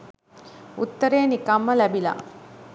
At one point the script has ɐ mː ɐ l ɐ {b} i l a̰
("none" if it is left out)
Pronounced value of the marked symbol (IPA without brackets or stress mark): b